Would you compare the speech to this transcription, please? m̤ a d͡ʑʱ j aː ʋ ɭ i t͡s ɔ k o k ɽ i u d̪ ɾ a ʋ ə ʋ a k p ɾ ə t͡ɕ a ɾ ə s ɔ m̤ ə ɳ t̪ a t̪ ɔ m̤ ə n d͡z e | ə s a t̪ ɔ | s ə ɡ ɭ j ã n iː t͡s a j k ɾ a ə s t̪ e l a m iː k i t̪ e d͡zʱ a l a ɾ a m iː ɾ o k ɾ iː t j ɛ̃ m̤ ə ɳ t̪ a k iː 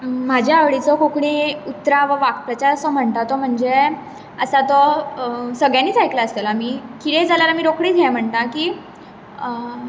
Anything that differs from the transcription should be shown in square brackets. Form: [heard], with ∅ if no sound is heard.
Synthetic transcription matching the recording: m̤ a d͡ʑʱ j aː ʋ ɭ i t͡s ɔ k o k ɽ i u [t̪] ɾ a ʋ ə ʋ a k p ɾ ə t͡ɕ a ɾ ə s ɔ m̤ ə ɳ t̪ a t̪ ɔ m̤ ə [ɳ] d͡z e | ə s a t̪ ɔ | s ə ɡ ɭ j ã n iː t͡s a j k [l] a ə s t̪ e l a m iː k i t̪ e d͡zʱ a l a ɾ a m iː ɾ o k [ɽ] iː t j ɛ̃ m̤ ə ɳ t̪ a k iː